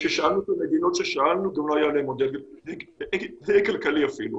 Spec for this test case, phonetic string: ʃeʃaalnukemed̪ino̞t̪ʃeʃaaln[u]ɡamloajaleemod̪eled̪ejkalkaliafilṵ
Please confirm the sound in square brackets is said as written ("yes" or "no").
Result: yes